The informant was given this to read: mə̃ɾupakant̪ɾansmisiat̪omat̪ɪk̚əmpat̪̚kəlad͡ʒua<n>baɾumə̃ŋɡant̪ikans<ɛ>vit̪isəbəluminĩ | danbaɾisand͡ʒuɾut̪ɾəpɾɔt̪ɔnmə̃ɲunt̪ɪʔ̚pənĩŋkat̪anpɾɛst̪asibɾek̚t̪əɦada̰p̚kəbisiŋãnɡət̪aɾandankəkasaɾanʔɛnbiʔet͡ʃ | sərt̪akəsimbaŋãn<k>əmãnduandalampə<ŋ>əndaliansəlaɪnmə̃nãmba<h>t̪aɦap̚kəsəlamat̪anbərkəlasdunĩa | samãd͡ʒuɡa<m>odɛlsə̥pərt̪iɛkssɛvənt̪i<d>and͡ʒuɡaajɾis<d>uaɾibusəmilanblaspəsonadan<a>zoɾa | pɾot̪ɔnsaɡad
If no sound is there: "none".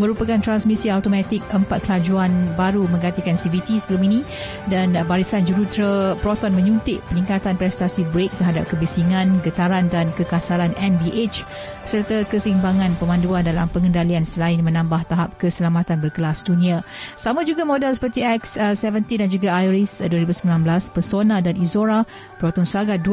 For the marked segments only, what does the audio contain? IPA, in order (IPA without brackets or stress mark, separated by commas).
n, i, p, ŋ, h, m, d, d, i